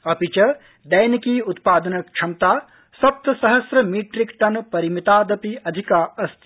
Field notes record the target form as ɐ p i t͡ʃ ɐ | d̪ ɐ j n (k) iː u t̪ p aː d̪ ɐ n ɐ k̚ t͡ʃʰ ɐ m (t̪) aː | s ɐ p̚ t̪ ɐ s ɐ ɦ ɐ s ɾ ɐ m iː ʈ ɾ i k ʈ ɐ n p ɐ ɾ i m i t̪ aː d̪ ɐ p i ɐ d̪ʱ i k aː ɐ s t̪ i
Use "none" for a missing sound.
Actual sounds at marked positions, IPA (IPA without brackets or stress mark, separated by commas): k, t̪